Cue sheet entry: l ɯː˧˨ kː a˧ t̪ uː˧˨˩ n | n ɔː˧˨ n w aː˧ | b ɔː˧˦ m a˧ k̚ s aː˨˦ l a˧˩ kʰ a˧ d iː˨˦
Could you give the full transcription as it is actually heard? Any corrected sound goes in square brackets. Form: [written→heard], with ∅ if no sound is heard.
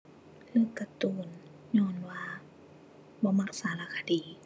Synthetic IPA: l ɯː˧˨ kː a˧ t̪ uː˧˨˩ n | [n→ɲ] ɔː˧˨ n w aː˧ | b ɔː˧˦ m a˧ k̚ s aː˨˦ l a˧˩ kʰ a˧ d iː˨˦

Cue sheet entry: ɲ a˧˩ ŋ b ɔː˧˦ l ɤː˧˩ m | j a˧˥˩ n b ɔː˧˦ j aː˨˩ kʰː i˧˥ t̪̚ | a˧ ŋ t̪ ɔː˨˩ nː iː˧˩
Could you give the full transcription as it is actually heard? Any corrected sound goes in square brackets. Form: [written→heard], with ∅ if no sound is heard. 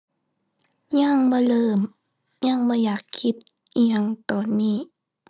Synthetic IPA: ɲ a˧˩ ŋ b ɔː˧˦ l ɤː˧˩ m | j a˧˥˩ [n→ŋ] b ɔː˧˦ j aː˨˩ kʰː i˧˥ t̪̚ | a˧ ŋ t̪ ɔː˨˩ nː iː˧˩

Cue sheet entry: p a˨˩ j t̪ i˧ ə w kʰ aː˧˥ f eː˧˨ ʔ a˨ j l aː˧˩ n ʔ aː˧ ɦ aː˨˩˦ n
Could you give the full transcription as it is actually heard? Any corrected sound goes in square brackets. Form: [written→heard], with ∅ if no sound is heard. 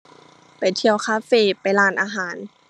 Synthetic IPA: p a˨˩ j [t̪→t̪ʰ] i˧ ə w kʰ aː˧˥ f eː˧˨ [ʔ→p] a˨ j l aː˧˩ n ʔ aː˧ ɦ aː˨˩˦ n

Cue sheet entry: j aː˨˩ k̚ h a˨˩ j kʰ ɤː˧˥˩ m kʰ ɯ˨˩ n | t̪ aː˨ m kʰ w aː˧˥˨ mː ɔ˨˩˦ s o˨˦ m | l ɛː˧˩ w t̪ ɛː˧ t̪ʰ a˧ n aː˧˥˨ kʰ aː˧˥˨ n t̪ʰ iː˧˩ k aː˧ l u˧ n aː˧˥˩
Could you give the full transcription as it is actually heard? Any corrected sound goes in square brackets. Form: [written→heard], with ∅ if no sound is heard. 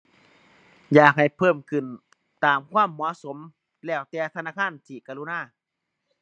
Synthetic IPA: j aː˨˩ k̚ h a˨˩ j [kʰ→pʰ] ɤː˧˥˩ m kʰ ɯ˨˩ n | t̪ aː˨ m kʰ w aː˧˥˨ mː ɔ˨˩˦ s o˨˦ m | l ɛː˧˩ w t̪ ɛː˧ t̪ʰ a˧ n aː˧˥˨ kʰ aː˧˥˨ n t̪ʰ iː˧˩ k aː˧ l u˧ n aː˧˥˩

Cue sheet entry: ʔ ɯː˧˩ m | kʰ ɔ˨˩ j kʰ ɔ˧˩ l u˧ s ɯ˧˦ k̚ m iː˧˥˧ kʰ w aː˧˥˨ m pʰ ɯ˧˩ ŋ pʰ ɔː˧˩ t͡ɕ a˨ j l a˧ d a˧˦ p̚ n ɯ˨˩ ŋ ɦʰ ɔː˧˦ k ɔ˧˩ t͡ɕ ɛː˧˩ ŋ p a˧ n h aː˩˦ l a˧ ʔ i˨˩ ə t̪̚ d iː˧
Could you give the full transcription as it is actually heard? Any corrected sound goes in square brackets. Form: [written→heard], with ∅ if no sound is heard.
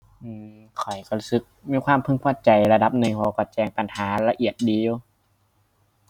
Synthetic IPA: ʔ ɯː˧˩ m | kʰ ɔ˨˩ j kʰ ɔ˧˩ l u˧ s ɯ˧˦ k̚ m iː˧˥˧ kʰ w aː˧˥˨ m pʰ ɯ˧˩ ŋ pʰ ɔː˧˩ t͡ɕ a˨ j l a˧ d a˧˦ p̚ n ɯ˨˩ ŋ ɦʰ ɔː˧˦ k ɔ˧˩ t͡ɕ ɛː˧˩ ŋ p a˧ n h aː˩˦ l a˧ ʔ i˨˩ ə t̪̚ d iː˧

